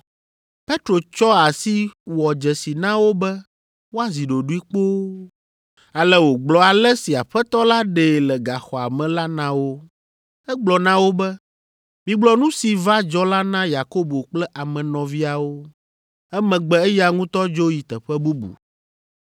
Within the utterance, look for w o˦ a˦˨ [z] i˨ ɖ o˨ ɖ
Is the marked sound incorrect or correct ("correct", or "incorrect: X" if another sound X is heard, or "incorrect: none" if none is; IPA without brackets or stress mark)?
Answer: correct